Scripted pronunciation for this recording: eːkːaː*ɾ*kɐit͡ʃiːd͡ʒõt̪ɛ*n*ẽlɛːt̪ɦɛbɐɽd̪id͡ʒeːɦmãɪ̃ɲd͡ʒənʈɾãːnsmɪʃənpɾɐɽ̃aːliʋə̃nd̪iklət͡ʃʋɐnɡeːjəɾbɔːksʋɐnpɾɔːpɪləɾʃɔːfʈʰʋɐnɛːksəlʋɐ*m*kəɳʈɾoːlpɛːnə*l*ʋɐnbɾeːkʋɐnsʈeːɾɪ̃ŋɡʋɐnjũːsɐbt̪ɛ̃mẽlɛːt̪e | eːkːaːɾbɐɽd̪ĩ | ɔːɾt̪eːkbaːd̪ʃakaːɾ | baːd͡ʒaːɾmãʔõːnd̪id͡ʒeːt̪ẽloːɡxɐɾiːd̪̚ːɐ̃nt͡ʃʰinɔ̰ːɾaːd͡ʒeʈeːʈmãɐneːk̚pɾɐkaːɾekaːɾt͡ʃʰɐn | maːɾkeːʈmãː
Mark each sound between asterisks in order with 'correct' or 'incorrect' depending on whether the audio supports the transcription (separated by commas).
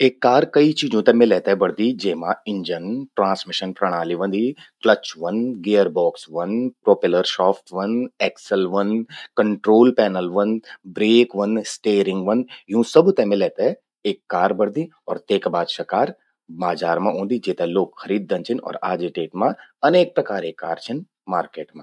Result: correct, incorrect, incorrect, correct